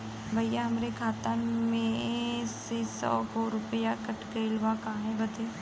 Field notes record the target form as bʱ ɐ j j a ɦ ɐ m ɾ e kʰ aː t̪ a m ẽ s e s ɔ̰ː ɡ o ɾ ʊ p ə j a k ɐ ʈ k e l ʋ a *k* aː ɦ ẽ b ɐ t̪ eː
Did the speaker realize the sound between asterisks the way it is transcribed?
yes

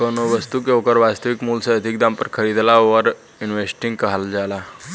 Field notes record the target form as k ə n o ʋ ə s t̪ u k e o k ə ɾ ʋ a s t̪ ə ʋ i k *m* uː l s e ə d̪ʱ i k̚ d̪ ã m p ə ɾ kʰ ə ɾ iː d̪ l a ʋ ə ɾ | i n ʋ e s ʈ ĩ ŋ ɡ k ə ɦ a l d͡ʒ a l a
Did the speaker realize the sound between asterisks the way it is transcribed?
yes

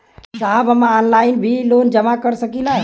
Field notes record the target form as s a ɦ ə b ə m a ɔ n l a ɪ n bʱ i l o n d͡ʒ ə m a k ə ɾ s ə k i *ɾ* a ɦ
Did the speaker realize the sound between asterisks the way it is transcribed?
no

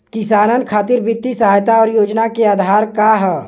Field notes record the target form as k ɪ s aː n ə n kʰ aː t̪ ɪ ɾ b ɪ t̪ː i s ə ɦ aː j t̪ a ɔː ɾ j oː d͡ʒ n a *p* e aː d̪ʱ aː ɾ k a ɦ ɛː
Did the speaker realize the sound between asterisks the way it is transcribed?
no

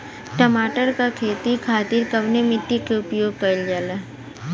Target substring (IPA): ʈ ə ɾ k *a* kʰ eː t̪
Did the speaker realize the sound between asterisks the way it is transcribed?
yes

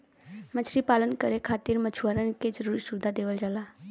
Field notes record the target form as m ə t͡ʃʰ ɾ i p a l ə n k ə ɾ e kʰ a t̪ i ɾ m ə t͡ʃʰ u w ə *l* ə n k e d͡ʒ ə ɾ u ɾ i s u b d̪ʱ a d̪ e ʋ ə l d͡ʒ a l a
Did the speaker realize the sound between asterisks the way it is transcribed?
no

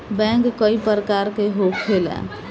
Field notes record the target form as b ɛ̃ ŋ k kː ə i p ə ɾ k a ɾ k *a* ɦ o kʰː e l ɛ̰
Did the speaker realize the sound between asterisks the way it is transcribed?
no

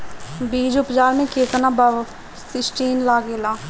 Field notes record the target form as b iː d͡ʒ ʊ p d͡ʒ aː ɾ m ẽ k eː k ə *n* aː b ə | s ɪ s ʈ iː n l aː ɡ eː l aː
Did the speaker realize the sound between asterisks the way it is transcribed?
yes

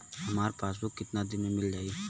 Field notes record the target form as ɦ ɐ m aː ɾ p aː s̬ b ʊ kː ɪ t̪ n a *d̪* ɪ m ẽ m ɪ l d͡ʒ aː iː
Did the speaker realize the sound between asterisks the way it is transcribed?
yes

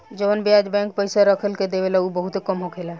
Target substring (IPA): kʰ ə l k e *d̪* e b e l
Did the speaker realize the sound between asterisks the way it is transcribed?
yes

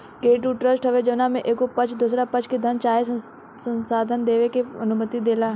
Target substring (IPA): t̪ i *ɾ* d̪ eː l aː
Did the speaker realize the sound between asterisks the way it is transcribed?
no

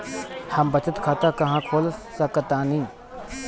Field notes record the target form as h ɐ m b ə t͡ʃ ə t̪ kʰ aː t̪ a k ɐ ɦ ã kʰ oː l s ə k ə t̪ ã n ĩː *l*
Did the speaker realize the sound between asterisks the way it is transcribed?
no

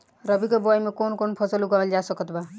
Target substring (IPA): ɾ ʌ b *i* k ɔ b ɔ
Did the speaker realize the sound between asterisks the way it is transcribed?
yes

